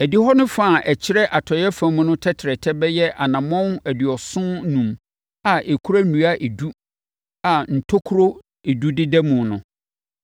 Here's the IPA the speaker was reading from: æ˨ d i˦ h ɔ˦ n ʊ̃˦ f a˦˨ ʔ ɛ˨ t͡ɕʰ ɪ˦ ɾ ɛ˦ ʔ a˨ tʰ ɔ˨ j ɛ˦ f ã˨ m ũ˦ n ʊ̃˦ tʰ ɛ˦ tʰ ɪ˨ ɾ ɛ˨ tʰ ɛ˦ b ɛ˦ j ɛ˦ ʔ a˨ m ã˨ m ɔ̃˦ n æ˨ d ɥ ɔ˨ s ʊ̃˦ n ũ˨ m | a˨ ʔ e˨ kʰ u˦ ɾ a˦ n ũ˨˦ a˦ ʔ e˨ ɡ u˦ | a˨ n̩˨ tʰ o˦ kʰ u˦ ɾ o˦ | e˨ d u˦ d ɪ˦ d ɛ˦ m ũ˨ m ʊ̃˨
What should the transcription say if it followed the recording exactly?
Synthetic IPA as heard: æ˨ d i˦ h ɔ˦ n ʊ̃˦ f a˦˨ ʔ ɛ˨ t͡ɕʰ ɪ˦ ɾ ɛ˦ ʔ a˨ tʰ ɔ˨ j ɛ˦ f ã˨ m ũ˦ n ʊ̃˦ tʰ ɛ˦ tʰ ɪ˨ ɾ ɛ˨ tʰ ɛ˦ b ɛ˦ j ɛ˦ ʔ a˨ n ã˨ m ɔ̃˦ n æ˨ d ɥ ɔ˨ s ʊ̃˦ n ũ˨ m | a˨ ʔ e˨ kʰ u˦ ɾ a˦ n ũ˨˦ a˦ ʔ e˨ d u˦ | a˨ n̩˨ tʰ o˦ kʰ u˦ ɾ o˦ | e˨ d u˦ d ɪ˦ d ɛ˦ m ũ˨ n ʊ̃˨